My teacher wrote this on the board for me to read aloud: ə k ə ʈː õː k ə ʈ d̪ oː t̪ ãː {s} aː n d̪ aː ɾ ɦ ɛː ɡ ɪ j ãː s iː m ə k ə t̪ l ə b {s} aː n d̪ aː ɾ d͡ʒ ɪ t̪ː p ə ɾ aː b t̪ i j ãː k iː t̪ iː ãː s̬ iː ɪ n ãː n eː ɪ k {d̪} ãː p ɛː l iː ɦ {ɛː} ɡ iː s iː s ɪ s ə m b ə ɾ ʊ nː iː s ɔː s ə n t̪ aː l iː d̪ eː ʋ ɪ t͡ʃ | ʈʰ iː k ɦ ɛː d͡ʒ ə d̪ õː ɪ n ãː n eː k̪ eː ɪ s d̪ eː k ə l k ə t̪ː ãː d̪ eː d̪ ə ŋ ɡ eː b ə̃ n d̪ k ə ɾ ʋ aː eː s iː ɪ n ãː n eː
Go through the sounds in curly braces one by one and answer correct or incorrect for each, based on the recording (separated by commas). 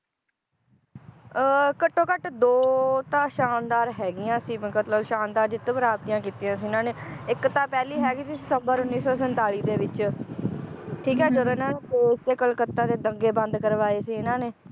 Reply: incorrect, incorrect, incorrect, correct